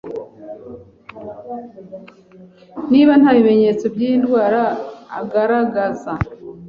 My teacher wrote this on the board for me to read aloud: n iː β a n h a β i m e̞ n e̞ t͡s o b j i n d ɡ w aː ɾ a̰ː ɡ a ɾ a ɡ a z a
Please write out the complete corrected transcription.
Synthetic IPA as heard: n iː β a n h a β i m e̞ ɲ e̞ t͡s o b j i n d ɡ w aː ɾ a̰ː ɡ a ɾ a ɡ a z a